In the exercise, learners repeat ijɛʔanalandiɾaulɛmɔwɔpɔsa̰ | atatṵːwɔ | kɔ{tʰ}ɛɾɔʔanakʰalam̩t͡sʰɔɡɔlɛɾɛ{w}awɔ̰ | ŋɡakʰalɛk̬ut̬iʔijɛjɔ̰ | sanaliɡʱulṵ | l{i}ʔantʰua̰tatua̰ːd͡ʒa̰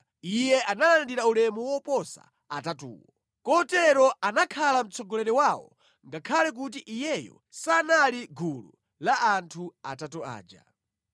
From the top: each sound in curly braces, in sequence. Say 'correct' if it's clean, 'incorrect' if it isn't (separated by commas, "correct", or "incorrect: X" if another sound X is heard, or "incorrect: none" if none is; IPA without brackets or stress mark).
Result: incorrect: t, correct, incorrect: a